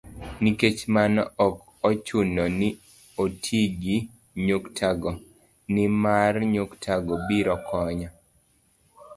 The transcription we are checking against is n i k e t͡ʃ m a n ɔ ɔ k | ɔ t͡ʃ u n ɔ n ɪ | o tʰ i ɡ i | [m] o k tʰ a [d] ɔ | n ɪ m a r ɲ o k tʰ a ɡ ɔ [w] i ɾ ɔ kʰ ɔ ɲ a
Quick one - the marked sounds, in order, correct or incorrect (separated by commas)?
incorrect, incorrect, incorrect